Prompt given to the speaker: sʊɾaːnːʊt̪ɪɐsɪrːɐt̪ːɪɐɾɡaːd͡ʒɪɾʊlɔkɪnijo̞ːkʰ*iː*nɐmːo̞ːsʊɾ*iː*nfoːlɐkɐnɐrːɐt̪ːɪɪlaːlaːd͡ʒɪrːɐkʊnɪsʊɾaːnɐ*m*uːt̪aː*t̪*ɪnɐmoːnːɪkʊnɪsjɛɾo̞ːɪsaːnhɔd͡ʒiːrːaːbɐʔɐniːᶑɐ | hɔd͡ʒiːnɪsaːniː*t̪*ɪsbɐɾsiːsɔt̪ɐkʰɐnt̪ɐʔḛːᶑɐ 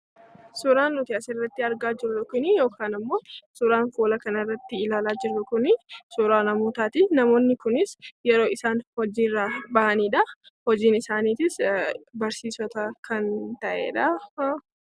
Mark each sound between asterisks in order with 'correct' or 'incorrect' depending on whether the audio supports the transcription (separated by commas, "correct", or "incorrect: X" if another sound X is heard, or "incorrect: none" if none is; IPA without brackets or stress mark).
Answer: incorrect: aː, incorrect: aː, correct, correct, correct